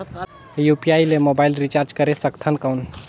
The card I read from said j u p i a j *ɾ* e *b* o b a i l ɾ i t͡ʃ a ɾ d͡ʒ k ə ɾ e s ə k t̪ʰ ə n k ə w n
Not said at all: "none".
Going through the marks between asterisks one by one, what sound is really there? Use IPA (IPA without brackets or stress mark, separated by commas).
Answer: l, m